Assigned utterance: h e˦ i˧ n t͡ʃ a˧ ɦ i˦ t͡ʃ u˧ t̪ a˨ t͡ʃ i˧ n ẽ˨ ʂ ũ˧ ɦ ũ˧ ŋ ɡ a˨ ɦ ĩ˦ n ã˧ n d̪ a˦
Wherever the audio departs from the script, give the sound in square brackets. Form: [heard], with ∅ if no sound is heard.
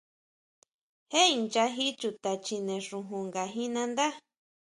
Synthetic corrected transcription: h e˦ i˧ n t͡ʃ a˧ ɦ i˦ t͡ʃ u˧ t̪ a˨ t͡ʃ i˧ n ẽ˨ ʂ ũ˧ ɦ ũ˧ ŋ ɡ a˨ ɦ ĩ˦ n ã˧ n d̪ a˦